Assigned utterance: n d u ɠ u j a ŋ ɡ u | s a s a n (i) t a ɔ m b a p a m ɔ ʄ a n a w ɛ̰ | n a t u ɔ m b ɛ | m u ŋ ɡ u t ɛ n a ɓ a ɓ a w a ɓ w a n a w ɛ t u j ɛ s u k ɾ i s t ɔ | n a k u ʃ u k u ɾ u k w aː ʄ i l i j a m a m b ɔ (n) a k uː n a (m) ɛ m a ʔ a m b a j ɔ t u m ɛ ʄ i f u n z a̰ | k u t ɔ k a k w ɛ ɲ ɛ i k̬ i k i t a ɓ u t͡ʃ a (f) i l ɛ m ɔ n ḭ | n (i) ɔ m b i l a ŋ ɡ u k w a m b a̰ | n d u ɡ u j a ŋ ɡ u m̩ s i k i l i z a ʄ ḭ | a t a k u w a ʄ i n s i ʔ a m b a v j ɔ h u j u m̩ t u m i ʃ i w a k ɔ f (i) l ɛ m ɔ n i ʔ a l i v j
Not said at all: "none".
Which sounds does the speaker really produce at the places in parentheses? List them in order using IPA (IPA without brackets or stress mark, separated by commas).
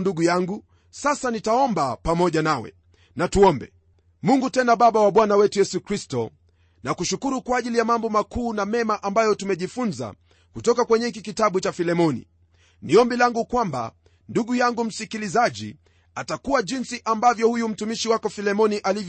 i, m, m, f, i, i